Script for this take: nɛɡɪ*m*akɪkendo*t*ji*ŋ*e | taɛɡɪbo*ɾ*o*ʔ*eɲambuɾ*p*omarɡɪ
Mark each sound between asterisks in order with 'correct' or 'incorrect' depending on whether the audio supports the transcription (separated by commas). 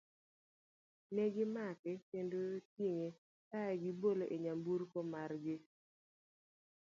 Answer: correct, correct, correct, incorrect, correct, incorrect